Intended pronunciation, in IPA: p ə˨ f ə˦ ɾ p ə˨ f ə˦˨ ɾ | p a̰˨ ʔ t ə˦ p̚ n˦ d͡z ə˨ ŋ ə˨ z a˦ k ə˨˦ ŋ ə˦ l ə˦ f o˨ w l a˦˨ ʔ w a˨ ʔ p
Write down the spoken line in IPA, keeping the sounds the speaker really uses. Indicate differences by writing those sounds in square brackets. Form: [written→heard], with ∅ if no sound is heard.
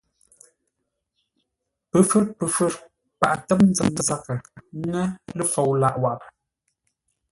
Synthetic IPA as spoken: p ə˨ f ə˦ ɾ p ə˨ f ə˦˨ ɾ | p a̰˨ ʔ t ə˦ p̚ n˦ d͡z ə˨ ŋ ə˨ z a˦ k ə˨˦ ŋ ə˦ l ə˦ f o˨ w l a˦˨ ʔ w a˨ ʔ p